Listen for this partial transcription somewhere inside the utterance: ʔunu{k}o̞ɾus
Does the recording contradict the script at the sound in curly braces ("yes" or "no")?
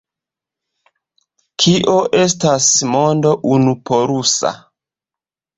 yes